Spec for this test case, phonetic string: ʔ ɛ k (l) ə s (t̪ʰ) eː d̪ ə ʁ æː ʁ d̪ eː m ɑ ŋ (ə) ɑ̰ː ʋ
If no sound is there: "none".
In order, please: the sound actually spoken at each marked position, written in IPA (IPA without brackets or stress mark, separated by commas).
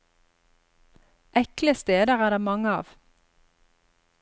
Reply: l, t̪, ə